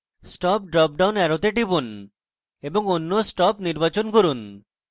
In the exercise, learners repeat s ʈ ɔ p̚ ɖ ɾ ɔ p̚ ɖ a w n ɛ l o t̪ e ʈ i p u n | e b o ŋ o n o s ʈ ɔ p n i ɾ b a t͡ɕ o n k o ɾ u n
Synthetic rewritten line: s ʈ ɔ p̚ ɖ ɾ ɔ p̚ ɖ a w n ɛ ɾ o t̪ e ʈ i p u n | e b o ŋ o nː o s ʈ ɔ p n i ɾ b a t͡ɕ o n k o ɾ u n